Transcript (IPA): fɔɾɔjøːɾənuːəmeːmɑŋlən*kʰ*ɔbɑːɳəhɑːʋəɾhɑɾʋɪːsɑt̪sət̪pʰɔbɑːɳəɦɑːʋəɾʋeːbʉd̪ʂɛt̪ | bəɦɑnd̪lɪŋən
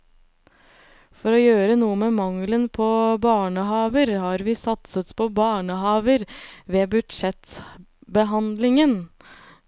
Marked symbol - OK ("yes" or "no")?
no